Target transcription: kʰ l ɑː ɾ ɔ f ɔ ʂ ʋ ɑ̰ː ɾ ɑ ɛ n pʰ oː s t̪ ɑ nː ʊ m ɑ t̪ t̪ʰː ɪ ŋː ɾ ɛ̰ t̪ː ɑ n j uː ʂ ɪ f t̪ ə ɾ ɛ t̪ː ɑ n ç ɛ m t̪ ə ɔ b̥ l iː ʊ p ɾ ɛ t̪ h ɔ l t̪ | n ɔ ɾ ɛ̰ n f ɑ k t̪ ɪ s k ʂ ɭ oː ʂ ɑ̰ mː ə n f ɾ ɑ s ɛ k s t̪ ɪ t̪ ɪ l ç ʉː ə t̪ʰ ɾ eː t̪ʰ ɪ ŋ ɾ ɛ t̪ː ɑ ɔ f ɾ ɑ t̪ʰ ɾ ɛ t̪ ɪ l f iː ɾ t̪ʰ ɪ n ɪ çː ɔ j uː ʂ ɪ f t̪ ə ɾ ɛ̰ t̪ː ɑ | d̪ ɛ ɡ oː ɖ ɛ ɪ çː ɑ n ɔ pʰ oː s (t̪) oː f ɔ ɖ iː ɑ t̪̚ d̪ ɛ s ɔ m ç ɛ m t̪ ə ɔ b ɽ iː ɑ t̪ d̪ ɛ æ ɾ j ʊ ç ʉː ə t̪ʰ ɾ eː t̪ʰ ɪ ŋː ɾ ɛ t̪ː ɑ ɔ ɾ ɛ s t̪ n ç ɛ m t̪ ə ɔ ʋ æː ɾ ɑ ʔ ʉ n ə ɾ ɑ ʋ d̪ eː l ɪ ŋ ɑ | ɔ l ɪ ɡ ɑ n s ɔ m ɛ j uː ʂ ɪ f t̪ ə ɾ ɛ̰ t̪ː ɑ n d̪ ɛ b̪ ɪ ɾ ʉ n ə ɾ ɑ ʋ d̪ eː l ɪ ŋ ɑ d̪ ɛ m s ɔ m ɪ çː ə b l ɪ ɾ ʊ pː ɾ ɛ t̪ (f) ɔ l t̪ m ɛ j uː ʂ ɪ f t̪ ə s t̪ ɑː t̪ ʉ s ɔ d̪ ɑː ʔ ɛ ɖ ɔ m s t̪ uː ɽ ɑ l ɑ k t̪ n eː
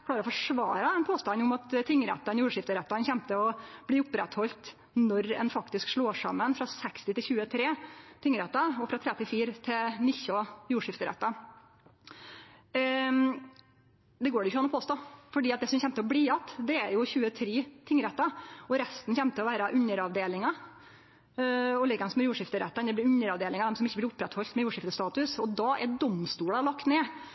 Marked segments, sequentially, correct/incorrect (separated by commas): correct, incorrect